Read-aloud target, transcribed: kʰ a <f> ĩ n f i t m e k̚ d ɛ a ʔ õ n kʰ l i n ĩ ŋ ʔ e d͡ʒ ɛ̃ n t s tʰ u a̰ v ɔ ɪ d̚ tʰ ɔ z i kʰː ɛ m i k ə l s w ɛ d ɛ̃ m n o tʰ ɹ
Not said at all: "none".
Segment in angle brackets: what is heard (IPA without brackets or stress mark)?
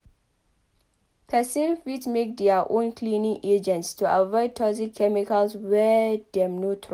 s